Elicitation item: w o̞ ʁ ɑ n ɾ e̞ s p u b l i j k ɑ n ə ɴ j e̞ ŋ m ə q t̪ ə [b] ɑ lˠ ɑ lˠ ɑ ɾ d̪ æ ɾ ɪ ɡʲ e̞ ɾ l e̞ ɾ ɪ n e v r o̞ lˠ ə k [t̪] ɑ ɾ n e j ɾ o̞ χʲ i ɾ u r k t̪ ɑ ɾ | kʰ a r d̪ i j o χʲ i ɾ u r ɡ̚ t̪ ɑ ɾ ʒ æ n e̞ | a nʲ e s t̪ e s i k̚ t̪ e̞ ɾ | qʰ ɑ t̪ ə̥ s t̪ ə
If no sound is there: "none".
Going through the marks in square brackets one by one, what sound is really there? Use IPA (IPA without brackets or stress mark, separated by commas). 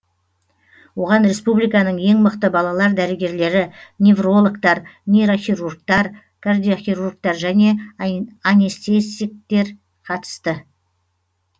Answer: b, t̪